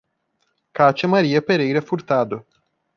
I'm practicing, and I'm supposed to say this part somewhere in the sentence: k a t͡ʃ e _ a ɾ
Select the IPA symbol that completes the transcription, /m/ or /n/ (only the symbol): m